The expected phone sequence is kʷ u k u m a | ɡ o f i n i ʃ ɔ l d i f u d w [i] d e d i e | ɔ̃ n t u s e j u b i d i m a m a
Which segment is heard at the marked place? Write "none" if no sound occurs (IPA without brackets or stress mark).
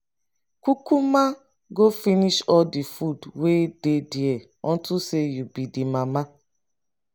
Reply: e